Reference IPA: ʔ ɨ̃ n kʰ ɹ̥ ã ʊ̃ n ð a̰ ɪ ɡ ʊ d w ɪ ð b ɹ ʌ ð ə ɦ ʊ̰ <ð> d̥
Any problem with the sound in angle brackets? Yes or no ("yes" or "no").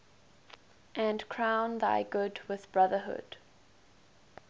yes